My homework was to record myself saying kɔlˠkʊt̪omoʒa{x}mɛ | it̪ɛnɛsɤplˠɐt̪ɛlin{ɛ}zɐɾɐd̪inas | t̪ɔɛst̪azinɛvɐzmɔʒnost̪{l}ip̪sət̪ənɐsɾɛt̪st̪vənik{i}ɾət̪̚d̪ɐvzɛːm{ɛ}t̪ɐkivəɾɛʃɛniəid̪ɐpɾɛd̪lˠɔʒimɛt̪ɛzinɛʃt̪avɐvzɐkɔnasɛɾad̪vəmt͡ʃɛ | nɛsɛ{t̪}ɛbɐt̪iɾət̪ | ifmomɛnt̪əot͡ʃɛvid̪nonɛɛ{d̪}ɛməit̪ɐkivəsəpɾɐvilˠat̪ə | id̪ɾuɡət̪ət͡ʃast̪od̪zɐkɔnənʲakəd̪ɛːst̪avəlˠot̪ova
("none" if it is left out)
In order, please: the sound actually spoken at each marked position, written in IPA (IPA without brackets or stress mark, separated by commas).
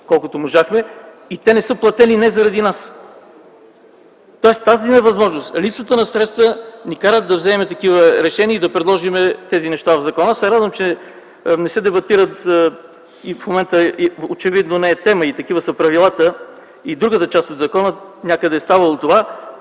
x, ɛ, l, a, ɛ, d̪, t̪